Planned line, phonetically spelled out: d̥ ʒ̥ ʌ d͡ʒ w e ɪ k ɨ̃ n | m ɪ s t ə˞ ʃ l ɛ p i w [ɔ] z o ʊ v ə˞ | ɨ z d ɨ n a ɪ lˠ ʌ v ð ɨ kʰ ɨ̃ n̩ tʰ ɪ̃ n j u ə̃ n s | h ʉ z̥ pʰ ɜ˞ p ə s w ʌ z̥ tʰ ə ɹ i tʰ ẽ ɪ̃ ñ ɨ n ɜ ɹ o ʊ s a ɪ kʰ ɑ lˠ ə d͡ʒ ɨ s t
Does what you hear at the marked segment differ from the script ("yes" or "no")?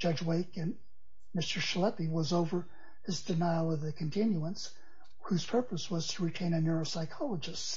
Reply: yes